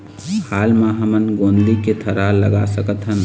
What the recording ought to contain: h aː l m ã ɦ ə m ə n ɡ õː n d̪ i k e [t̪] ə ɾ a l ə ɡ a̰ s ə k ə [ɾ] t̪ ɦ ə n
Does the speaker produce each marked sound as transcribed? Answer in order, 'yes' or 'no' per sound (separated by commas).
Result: no, no